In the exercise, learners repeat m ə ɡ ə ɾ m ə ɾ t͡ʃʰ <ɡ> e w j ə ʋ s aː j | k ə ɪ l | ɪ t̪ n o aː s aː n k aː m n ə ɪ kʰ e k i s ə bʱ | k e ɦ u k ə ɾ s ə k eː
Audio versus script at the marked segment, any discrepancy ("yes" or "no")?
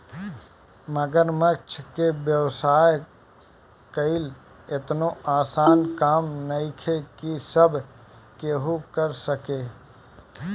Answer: yes